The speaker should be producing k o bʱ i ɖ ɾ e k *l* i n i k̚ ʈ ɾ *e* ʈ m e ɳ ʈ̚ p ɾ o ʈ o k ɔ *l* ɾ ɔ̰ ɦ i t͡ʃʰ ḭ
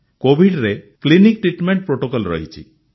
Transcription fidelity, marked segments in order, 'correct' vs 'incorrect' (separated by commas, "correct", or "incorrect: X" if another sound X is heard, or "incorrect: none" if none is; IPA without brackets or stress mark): correct, incorrect: i, correct